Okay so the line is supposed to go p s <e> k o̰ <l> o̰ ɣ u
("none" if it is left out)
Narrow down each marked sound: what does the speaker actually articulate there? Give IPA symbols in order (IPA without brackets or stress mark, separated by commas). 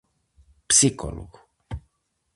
i, l